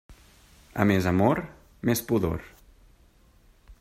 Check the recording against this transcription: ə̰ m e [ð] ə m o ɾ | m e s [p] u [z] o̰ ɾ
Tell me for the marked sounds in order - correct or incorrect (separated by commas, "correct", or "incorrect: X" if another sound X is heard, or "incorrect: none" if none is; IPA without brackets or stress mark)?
incorrect: z, correct, incorrect: ð